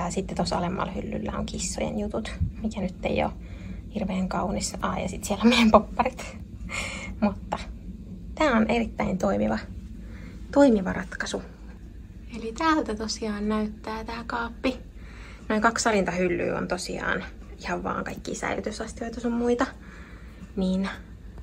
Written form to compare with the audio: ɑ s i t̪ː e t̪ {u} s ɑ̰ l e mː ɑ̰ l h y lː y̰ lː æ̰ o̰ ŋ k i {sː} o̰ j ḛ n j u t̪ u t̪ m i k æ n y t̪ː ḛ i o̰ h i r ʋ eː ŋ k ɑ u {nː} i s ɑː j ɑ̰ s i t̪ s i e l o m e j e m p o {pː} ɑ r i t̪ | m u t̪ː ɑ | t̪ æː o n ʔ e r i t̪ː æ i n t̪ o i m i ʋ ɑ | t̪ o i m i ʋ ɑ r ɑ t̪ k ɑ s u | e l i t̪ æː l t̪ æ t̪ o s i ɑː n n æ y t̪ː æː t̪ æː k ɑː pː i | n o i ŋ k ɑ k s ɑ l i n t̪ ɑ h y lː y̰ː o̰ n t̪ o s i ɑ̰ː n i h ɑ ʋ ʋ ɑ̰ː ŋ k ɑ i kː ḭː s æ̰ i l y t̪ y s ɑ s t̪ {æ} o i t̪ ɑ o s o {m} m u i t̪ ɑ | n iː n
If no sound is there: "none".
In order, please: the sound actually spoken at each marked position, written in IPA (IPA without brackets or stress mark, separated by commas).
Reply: o, sː, n, pː, i, m